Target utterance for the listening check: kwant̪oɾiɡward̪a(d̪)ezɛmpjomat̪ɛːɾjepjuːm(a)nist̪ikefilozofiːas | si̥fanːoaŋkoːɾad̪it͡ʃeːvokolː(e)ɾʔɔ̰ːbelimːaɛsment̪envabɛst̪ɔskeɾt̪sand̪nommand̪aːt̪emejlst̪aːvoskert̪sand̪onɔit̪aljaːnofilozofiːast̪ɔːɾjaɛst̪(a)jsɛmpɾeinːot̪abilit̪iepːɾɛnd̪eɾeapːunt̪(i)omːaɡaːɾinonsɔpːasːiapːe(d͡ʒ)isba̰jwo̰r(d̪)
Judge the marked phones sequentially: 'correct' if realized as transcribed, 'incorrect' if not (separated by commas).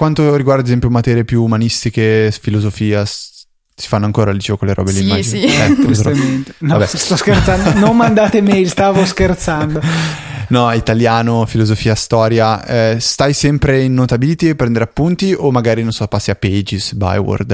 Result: correct, correct, correct, correct, correct, correct, correct